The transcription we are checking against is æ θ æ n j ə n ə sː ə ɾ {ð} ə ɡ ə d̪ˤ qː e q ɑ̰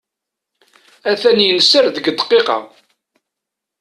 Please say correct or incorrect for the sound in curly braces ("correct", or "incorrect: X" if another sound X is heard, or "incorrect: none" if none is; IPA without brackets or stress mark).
correct